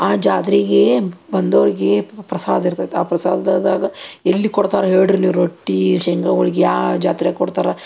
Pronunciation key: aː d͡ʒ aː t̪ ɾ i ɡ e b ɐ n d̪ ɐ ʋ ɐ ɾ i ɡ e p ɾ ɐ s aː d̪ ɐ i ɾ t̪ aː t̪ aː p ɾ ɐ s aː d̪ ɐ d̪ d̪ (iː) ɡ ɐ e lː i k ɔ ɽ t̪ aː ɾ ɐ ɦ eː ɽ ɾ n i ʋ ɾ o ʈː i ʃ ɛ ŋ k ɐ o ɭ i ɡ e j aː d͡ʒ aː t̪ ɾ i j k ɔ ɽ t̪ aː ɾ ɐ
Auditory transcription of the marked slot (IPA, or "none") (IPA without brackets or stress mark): aː